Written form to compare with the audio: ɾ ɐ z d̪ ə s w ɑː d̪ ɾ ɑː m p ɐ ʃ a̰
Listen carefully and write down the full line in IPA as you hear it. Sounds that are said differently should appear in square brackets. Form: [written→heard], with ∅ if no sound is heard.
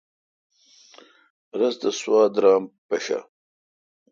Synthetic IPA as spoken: ɾ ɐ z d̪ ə s w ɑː d̪ ɾ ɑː m p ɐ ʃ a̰